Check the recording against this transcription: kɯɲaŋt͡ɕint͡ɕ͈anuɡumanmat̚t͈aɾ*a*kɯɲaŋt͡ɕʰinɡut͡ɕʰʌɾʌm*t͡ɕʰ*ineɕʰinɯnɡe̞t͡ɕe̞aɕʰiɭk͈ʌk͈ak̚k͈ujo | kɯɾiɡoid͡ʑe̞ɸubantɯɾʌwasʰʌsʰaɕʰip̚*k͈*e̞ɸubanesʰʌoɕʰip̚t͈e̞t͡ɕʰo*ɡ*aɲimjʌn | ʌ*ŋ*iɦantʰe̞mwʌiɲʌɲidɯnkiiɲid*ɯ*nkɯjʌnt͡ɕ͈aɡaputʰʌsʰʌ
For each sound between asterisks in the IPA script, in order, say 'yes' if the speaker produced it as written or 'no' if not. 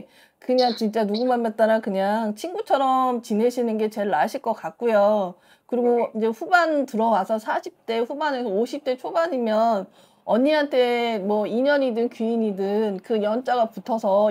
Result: yes, no, no, no, no, yes

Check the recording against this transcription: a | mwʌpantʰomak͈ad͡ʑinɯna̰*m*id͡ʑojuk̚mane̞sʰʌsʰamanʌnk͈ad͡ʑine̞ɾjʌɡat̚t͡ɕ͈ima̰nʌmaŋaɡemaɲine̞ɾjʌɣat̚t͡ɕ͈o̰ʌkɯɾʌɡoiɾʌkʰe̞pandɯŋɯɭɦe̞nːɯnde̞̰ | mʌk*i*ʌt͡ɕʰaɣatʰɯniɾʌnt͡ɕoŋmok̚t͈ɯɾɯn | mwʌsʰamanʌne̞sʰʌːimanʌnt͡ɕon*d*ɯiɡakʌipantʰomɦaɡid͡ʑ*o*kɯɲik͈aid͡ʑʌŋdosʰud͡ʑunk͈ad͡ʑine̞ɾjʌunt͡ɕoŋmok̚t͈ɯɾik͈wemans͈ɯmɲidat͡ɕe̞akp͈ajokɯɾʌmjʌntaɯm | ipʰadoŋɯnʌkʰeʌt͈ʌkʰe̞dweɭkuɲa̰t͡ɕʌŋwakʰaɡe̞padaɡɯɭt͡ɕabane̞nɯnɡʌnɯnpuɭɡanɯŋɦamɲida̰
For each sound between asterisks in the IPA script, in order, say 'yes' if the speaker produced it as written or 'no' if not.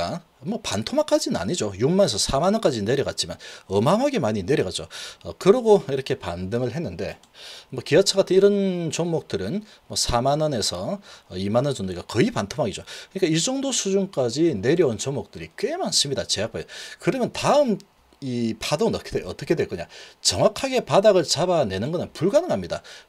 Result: no, yes, yes, yes

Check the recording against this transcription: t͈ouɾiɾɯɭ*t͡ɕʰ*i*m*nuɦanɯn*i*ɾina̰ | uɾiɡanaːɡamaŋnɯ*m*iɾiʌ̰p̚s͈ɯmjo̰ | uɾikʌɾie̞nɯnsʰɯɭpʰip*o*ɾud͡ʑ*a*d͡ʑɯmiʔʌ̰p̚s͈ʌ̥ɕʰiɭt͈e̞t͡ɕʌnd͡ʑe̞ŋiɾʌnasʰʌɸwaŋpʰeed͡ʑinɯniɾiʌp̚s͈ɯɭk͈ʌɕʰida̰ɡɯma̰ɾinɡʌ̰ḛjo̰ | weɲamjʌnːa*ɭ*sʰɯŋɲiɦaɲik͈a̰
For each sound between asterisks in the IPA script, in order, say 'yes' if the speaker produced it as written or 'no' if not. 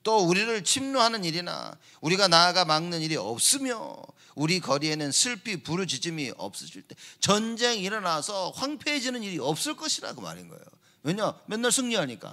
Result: yes, yes, yes, no, no, no, yes

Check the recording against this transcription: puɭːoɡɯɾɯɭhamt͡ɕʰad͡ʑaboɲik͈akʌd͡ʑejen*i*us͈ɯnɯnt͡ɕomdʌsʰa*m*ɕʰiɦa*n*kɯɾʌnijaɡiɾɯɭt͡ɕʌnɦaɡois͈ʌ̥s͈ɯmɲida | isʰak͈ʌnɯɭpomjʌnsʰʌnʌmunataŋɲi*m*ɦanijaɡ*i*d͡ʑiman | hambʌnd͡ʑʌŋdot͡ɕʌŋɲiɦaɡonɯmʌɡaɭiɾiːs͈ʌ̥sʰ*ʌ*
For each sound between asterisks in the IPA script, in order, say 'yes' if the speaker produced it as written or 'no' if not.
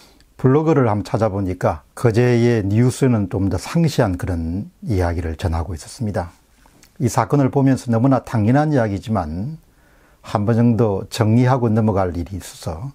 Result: yes, no, yes, no, yes, yes

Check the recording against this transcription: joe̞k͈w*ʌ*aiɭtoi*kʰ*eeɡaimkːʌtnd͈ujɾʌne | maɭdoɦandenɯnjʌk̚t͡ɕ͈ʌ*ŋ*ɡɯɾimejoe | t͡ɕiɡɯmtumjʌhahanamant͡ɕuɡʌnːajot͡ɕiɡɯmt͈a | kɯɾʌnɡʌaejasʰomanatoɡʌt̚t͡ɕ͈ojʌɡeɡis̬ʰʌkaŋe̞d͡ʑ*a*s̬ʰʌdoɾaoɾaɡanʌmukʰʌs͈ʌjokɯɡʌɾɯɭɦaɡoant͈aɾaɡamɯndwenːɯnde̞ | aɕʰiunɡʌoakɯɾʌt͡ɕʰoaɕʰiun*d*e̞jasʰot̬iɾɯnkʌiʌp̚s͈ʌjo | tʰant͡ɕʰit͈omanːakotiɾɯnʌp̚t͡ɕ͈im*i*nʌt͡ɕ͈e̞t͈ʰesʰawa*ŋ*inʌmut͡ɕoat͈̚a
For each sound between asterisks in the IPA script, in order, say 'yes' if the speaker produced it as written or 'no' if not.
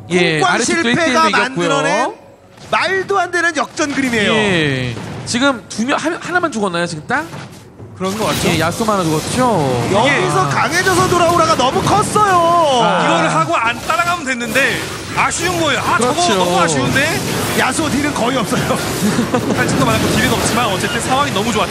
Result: no, no, no, no, yes, no, yes

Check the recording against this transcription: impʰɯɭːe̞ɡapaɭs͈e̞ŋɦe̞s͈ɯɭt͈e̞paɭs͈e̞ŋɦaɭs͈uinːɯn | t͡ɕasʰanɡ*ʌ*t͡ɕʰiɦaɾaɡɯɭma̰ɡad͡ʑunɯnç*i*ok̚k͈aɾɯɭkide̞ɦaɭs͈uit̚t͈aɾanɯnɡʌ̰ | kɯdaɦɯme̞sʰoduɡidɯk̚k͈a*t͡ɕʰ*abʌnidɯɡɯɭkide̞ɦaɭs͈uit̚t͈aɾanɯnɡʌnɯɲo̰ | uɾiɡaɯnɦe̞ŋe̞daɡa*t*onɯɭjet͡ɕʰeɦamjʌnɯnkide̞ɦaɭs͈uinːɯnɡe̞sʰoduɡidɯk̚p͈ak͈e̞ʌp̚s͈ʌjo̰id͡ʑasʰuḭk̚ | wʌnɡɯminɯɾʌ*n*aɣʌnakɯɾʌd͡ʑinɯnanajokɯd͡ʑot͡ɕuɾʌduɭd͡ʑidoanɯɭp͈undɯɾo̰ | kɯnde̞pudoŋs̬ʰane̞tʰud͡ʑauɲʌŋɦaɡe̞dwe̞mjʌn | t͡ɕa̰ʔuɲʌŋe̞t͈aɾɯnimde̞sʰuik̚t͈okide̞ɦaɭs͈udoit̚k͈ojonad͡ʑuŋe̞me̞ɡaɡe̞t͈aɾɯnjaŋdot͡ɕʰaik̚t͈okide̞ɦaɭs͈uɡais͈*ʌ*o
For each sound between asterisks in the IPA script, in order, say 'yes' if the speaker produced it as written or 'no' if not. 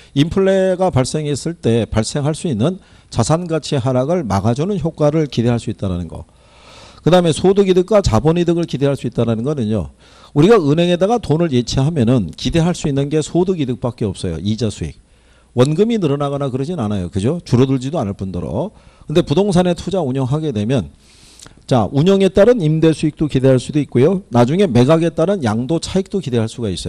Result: no, no, no, yes, yes, yes

